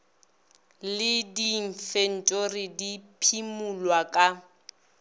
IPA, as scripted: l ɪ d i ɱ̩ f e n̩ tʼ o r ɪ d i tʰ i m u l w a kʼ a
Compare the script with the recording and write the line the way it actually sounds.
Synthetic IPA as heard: l ɪ d i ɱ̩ f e n̩ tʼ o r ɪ d i pʰ i m u l w a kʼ a